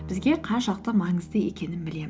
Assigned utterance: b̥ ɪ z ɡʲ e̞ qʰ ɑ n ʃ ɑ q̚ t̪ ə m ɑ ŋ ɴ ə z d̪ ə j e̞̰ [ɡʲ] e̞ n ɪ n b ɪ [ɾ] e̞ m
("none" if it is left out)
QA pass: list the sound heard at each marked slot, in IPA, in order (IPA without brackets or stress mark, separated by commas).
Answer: kʲ, l